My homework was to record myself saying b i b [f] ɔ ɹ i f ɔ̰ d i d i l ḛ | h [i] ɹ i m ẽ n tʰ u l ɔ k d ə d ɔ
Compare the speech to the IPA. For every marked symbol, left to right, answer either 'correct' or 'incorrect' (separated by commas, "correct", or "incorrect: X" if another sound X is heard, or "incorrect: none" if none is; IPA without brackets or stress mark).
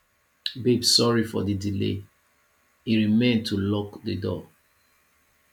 incorrect: s, correct